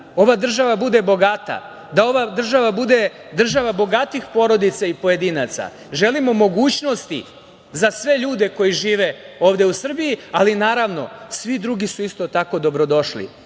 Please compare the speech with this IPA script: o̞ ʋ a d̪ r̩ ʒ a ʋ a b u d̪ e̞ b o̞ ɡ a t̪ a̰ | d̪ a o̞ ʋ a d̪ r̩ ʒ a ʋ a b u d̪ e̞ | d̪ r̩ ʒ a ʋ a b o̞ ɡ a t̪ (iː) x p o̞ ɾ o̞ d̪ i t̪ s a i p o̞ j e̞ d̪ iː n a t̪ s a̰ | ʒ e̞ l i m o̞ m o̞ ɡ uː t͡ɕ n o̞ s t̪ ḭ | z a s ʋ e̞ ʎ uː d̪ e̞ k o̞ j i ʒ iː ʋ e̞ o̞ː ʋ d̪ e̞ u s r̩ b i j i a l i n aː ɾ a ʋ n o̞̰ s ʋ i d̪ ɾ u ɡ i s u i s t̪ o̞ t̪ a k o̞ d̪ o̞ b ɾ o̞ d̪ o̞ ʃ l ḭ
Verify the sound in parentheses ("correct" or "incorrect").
incorrect